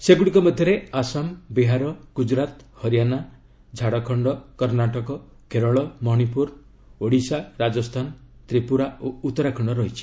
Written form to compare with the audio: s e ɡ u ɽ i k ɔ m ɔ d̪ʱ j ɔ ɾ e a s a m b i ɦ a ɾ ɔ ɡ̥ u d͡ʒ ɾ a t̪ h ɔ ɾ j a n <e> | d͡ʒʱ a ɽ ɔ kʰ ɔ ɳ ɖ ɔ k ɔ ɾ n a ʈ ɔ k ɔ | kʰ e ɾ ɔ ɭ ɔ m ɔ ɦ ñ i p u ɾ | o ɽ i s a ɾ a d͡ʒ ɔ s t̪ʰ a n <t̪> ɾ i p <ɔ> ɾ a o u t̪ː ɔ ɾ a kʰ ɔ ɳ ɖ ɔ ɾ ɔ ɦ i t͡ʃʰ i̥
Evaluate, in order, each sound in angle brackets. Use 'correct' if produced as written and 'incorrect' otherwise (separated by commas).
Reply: incorrect, correct, incorrect